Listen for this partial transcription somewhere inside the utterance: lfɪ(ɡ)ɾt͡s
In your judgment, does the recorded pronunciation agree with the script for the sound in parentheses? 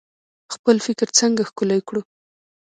no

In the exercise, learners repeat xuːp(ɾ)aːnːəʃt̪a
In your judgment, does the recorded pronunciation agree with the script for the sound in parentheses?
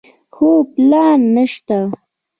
no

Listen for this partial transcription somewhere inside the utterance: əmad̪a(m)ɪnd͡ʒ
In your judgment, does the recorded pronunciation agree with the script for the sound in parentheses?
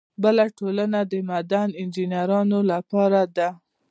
no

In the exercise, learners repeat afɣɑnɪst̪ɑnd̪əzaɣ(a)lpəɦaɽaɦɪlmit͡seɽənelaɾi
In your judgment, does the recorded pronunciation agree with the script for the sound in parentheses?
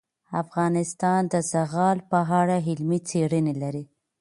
no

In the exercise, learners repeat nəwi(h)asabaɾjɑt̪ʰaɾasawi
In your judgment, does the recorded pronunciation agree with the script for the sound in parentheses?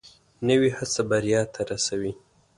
yes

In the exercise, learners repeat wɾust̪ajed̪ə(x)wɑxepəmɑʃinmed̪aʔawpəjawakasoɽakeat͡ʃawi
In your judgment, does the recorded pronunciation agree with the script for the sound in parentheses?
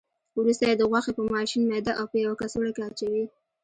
no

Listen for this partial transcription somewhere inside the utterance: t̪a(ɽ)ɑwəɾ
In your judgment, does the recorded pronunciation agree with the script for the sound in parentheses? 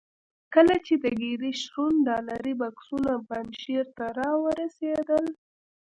no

